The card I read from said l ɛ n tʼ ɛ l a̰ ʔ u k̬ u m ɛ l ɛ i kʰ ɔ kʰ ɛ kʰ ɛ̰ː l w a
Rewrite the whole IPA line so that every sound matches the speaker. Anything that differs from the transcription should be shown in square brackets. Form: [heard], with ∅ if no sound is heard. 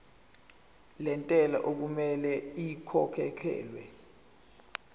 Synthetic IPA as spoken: l ɛ n tʼ ɛ l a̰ ʔ [o] k̬ u m ɛ l ɛ i kʰ ɔ kʰ ɛ kʰ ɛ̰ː l w [ɛ]